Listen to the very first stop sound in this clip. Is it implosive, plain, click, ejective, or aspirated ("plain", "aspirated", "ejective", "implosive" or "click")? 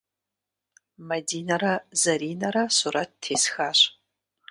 plain